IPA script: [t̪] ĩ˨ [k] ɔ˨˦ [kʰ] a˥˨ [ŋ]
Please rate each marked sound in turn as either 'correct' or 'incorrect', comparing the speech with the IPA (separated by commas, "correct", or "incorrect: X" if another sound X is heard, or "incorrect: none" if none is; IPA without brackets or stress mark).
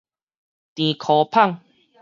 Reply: correct, incorrect: kʰ, incorrect: pʰ, correct